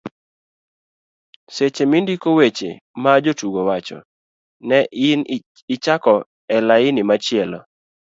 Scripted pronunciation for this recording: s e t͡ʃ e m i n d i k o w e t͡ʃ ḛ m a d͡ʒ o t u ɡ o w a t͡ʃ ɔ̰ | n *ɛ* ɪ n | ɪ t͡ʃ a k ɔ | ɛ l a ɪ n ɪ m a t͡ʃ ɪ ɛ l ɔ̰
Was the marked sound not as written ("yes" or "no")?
no